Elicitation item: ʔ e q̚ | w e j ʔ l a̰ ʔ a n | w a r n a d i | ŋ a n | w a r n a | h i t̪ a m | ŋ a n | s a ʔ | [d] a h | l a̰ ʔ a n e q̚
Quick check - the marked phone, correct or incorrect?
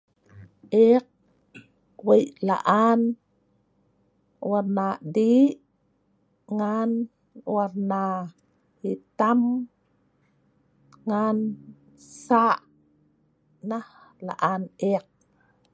incorrect